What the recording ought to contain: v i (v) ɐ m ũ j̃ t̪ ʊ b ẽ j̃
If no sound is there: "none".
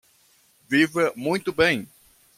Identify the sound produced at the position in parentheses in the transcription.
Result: v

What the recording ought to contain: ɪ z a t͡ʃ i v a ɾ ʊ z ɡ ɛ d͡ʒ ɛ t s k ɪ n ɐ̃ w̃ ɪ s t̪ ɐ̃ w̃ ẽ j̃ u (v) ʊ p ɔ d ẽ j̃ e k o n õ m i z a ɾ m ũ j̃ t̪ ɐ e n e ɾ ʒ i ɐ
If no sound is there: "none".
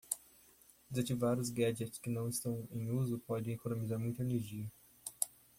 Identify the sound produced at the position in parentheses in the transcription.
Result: z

